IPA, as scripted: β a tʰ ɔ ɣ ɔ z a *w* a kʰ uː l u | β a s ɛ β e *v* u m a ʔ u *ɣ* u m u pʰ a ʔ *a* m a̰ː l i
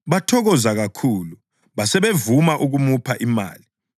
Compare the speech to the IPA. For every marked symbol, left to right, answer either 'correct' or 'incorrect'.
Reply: incorrect: ɣ, correct, correct, incorrect: i

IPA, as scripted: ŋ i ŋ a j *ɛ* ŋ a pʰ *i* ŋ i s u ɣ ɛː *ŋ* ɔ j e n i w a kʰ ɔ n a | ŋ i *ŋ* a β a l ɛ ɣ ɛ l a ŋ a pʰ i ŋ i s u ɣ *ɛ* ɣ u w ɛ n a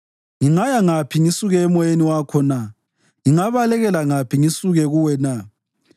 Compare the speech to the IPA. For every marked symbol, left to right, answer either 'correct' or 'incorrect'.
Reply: incorrect: a, correct, incorrect: m, correct, correct

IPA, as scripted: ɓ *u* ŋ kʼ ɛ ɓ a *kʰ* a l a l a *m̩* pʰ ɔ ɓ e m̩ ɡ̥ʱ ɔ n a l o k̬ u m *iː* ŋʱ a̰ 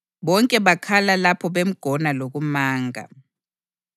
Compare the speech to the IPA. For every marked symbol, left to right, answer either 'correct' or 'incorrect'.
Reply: incorrect: ɔ, correct, incorrect: none, incorrect: aː

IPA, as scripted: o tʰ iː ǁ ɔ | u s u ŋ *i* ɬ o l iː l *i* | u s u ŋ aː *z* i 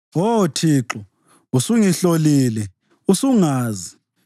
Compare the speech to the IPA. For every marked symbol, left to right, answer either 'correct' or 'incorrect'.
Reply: correct, incorrect: ɛ, correct

